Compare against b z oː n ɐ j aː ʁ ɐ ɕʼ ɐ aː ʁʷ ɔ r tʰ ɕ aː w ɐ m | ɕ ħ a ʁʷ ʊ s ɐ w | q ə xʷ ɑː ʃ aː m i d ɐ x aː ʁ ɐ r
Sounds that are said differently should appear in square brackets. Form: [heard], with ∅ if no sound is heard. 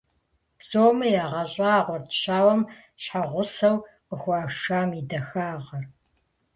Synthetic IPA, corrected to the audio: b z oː [m] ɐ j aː ʁ ɐ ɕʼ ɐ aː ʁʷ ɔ r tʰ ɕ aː w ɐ m | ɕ ħ a ʁʷ ʊ s ɐ w | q ə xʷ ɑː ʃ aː m i d ɐ x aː ʁ ɐ r

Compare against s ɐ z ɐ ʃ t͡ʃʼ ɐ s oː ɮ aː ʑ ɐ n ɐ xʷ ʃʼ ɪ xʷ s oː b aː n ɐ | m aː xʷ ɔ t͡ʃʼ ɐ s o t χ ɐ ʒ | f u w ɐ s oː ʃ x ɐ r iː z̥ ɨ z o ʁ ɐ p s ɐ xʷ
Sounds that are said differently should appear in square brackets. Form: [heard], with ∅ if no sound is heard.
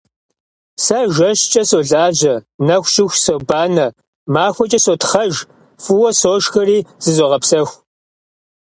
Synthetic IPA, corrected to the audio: s ɐ [ʒ] ɐ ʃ t͡ʃʼ ɐ s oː ɮ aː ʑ ɐ n ɐ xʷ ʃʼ ɪ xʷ s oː b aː n ɐ | m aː xʷ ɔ t͡ʃʼ ɐ s o t χ ɐ ʒ | f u w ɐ s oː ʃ x ɐ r iː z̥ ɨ z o ʁ ɐ p s ɐ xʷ

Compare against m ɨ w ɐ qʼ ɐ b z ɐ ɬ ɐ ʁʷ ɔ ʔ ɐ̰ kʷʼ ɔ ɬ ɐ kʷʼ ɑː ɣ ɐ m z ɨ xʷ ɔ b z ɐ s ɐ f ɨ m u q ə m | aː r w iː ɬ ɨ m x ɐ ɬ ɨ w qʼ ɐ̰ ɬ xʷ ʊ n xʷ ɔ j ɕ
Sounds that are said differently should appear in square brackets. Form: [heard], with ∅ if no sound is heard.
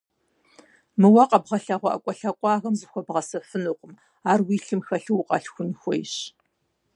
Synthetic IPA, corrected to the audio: m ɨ w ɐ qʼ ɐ b [ʁ] ɐ ɬ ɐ ʁʷ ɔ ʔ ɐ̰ kʷʼ ɔ ɬ ɐ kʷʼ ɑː ɣ ɐ m z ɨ xʷ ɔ b [ʁ] ɐ s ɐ f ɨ [n] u q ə m | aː r w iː ɬ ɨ m x ɐ ɬ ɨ w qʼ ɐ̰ ɬ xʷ ʊ n xʷ ɔ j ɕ

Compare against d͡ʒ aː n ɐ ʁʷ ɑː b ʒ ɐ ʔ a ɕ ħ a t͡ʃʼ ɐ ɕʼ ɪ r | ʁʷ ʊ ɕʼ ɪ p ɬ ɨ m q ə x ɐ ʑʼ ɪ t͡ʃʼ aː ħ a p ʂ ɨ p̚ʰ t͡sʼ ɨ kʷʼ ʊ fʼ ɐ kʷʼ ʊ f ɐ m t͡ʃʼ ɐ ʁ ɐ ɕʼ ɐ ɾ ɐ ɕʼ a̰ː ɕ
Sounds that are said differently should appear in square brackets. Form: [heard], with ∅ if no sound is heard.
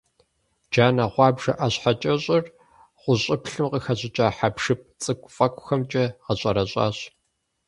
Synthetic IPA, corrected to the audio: d͡ʒ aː n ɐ ʁʷ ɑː b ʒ ɐ ʔ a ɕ ħ a t͡ʃʼ ɐ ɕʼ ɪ r | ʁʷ ʊ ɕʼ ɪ p ɬ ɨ m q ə x ɐ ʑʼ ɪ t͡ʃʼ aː ħ a p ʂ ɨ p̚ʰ t͡sʼ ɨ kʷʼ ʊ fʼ ɐ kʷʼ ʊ [x] ɐ m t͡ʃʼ ɐ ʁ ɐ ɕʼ ɐ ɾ ɐ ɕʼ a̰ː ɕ

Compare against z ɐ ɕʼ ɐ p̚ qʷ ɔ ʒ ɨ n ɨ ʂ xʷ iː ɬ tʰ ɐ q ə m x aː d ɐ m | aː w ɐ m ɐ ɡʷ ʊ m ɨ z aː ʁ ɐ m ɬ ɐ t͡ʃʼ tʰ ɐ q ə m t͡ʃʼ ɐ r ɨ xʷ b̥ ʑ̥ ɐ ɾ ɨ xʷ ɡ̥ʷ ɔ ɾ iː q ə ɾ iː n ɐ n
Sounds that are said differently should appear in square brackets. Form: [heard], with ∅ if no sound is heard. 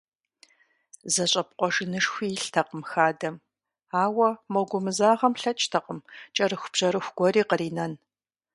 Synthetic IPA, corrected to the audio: z ɐ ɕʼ ɐ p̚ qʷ ɔ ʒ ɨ n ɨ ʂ xʷ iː ɬ tʰ ɐ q ə m x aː d ɐ m | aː w ɐ m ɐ ɡʷ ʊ m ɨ z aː ʁ ɐ m ɬ ɐ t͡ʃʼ tʰ ɐ q ə m t͡ʃʼ ɐ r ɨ xʷ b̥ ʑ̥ ɐ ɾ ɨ xʷ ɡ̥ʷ ɔ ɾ iː q ə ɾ iː n ɐ n

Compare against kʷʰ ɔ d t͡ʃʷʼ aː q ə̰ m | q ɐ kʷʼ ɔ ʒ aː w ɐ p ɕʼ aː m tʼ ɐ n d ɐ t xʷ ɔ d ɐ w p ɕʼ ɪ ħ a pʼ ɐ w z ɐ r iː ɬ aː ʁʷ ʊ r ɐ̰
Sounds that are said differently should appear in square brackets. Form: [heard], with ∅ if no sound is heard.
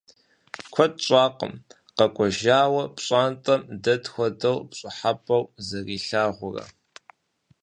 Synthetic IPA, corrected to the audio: kʷʰ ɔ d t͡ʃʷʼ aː q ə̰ m | q ɐ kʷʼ ɔ ʒ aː w ɐ p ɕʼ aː [n] tʼ ɐ [m] d ɐ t xʷ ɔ d ɐ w p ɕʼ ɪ ħ a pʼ ɐ w z ɐ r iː ɬ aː ʁʷ ʊ r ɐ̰

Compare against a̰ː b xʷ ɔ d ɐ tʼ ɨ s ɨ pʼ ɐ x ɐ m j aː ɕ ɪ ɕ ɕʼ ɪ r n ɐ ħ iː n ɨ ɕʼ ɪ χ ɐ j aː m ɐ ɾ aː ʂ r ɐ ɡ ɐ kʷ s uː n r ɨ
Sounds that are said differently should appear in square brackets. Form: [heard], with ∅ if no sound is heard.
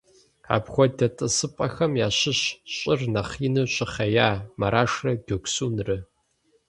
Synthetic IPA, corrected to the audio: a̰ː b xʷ ɔ d ɐ tʼ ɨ s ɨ pʼ ɐ x ɐ m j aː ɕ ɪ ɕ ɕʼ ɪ r n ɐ [χ] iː n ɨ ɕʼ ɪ χ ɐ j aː m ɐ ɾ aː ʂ r ɐ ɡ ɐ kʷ s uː n r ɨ

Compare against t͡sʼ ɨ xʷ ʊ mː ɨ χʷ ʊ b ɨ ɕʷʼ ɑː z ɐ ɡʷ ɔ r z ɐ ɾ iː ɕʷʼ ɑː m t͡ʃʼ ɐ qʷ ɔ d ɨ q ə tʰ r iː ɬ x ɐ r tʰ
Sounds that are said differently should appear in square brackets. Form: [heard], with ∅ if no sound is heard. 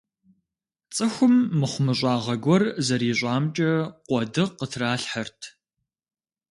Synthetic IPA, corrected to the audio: t͡sʼ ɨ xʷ ʊ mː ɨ χʷ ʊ [m] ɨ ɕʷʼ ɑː [ʁ] ɐ ɡʷ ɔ r z ɐ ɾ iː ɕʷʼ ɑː m t͡ʃʼ ɐ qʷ ɔ d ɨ q ə tʰ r [aː] ɬ [ħ] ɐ r tʰ

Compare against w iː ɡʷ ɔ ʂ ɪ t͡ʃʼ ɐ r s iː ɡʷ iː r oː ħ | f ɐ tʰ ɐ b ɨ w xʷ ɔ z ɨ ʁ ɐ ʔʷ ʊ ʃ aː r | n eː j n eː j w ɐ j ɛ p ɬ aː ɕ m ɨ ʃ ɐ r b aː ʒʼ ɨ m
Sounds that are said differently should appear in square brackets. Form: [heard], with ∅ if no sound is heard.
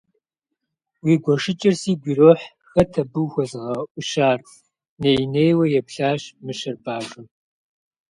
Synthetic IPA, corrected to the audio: w iː ɡʷ ɔ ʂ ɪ t͡ʃʼ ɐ r s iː ɡʷ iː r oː ħ | [x] ɐ tʰ ɐ b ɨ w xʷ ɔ z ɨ ʁ ɐ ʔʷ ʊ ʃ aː r | n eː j n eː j w ɐ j ɛ p ɬ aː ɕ m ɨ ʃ ɐ r b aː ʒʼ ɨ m

